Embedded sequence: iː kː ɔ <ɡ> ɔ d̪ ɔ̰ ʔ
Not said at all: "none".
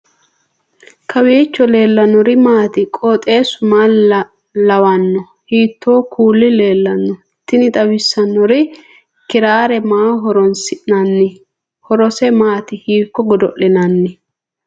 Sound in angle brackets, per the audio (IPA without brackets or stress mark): ɡ